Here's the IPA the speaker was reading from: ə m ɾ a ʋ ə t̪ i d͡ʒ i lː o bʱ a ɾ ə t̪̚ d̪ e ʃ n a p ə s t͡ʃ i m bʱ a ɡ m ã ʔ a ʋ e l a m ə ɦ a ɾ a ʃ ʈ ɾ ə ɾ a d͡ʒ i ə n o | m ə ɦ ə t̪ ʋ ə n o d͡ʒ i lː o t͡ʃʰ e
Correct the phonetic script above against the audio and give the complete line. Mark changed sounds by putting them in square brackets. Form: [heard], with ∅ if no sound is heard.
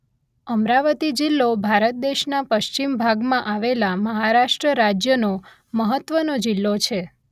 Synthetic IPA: ə m ɾ a ʋ ə t̪ i d͡ʒ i lː o bʱ a ɾ ə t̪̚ d̪ e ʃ n a p ə [ʃ] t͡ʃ i m bʱ a ɡ m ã ʔ a ʋ e l a m ə ɦ a ɾ a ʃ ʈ ɾ ə ɾ a d͡ʒ [j] ə n o | m ə ɦ ə t̪ ʋ ə n o d͡ʒ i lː o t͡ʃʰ e